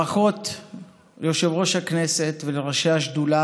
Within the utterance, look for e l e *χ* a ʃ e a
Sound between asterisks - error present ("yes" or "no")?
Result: yes